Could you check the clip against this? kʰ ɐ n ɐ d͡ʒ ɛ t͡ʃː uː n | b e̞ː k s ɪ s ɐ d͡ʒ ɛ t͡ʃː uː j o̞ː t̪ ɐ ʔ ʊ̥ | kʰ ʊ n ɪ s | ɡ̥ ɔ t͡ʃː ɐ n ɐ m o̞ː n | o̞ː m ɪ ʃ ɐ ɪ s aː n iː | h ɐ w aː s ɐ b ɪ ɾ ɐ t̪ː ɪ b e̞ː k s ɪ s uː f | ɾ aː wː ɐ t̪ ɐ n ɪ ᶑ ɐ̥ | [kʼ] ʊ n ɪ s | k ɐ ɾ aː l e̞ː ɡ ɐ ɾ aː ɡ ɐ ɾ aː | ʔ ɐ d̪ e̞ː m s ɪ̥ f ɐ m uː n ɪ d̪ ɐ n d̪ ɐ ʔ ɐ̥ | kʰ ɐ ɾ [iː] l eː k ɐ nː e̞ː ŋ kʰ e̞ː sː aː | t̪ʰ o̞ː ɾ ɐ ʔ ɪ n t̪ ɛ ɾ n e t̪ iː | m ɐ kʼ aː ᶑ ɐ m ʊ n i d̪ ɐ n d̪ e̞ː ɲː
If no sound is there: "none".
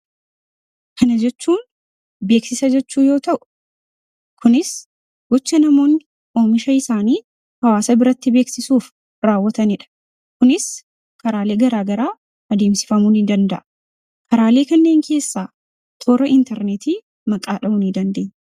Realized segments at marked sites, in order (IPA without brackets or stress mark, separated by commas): k, aː